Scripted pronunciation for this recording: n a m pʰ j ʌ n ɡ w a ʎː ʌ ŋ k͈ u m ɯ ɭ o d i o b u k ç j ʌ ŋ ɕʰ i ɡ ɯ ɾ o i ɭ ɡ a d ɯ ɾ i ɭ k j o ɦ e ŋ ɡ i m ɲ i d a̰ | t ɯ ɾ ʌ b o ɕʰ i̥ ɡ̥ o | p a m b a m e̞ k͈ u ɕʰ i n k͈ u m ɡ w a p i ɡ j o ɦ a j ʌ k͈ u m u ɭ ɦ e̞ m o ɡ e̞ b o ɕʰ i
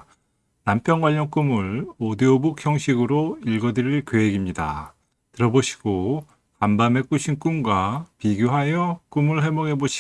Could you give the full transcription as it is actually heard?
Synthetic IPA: n a m pʰ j ʌ n ɡ w a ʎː ʌ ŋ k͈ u m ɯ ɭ o d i o b u k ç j ʌ ŋ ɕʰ i ɡ ɯ ɾ o i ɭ ɡ ʌ d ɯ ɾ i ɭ k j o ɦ e ɡ i m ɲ i d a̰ | t ɯ ɾ ʌ b o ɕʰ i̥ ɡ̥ o | k a m b a m e̞ k͈ u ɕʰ i n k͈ u m ɡ w a p i ɡ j o ɦ a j ʌ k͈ u m ɯ ɭ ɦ e̞ m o ɡ e̞ b o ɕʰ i